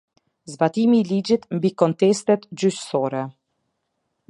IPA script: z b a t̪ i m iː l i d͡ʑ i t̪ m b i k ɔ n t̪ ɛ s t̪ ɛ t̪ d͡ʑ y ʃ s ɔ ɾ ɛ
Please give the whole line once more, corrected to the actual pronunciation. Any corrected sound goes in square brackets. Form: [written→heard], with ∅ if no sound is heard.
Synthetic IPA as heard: z b a t̪ i m iː l i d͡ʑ i t̪ m b i k ɔ n t̪ ɛ s t̪ ɛ t̪ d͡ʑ y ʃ s ɔ ɾ ɛ